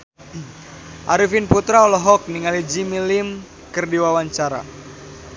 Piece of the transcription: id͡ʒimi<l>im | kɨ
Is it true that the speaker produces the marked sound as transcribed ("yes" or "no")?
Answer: yes